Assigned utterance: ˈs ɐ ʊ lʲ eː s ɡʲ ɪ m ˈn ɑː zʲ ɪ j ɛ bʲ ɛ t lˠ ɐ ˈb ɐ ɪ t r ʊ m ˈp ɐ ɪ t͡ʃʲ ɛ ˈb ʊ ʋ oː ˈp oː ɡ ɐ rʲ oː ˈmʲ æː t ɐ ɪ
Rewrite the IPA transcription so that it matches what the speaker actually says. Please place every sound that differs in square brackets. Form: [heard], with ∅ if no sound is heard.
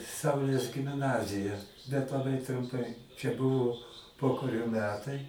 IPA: ˈs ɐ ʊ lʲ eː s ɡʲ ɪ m ˈn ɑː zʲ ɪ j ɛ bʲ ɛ t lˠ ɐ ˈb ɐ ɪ t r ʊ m ˈp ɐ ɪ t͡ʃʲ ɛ ˈb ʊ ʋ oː ˈp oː [k] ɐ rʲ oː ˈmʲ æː t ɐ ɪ